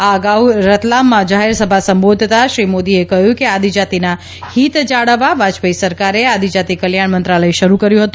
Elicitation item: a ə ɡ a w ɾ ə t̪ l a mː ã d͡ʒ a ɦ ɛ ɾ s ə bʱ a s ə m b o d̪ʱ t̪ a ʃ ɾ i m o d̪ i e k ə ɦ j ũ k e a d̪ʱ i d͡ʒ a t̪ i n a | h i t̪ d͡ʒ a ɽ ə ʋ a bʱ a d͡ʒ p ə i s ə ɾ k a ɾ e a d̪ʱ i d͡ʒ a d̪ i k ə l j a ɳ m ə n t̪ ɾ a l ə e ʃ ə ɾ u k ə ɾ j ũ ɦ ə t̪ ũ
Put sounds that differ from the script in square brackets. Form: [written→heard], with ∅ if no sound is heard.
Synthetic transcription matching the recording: a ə ɡ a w ɾ ə t̪ l a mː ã d͡ʒ a ɦ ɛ ɾ s ə bʱ a s ə m b o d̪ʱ t̪ a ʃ ɾ i m o d̪ i e k ə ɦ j ũ k e a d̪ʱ i d͡ʒ a t̪ i n a | h i t̪ d͡ʒ a ɽ ə ʋ a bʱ a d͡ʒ p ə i s ə ɾ k a ɾ e a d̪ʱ i d͡ʒ a [d̪→t̪] i k ə l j a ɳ m ə n t̪ ɾ a l ə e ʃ ə ɾ u k ə ɾ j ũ ɦ ə t̪ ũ